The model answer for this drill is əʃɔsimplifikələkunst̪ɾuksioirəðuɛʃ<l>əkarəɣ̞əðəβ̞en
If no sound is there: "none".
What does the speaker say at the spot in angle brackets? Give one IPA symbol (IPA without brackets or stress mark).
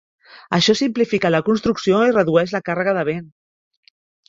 l